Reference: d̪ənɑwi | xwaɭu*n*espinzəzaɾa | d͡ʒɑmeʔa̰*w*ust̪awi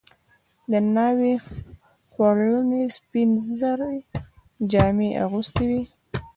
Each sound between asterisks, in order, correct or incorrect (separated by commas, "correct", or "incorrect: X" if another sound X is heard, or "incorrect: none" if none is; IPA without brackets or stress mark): correct, incorrect: ɣ